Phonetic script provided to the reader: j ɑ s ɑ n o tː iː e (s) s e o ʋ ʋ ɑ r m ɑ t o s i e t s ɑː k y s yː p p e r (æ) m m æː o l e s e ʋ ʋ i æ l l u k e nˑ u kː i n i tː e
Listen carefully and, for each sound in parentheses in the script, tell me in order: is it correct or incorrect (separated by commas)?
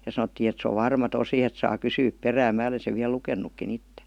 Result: incorrect, incorrect